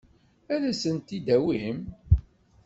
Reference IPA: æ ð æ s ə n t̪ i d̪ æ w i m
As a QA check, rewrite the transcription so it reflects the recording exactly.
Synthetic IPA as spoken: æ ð æ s ə n t̪ i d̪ æ w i m